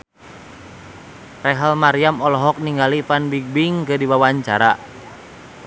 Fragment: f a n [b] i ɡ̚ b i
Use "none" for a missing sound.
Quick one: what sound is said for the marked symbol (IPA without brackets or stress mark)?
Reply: b